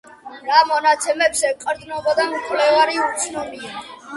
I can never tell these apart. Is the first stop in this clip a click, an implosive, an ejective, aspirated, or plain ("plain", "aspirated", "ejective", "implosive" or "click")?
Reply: plain